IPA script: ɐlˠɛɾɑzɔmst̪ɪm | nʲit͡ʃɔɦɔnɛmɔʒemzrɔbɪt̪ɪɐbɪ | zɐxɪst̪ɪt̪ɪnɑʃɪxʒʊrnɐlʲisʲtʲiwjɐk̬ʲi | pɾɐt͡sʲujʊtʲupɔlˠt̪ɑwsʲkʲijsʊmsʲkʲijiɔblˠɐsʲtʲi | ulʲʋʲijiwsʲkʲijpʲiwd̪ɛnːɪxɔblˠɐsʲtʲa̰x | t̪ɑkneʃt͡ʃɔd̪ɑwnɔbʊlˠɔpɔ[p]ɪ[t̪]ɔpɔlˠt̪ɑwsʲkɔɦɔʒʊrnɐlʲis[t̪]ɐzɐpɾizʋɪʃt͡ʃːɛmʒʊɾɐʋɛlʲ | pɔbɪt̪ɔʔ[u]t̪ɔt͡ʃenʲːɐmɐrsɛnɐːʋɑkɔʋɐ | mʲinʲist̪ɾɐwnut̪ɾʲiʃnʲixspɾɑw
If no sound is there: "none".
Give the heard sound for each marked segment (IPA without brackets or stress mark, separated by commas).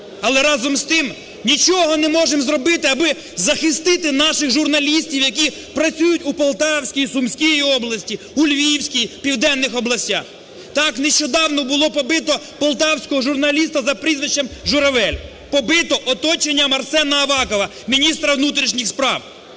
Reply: b, t̪, t̪, ɔ